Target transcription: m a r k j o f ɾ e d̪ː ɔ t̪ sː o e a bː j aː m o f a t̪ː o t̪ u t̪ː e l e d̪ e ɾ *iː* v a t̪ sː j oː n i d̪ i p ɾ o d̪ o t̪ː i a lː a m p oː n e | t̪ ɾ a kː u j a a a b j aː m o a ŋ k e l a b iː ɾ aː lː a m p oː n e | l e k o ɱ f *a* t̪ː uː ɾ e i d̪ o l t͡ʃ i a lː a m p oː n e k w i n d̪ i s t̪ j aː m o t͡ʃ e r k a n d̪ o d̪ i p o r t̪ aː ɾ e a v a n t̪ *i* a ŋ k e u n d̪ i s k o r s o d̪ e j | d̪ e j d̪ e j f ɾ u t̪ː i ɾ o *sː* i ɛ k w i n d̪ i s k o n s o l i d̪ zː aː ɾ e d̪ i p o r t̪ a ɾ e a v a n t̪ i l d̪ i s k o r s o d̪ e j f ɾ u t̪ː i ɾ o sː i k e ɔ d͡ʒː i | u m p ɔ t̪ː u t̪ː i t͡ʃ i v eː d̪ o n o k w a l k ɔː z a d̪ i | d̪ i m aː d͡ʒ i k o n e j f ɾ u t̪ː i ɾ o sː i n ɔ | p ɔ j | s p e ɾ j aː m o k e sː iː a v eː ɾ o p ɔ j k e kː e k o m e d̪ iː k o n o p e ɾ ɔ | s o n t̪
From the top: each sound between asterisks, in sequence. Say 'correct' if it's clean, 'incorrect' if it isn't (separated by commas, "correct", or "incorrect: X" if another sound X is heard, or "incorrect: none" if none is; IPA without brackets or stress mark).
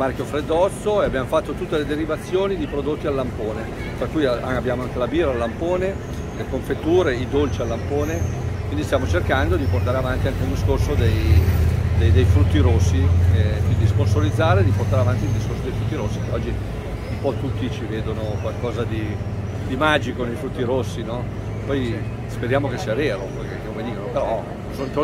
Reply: incorrect: i, incorrect: e, correct, correct